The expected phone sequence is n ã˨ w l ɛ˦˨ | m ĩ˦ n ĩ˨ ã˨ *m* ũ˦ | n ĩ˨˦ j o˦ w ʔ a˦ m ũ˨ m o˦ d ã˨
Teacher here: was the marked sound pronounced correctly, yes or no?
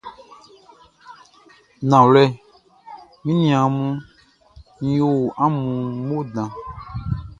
yes